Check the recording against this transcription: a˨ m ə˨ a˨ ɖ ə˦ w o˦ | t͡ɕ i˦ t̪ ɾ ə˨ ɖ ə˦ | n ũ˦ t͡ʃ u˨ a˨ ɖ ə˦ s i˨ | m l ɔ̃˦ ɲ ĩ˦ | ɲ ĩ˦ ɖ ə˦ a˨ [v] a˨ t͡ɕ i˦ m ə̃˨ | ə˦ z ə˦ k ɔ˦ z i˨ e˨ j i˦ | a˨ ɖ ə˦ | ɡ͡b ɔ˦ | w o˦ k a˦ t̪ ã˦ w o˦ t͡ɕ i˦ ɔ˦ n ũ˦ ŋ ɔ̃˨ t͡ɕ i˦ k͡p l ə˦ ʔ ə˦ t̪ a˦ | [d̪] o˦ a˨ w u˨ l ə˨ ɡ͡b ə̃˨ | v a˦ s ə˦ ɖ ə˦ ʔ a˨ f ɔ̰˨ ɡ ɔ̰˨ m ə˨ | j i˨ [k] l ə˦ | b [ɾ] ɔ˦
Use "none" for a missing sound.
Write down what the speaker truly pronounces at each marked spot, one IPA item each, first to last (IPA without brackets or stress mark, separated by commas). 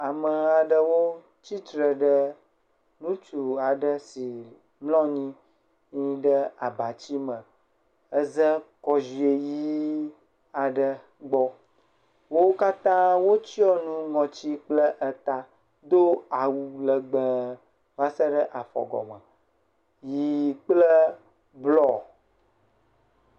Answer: b, d̪, k͡p, l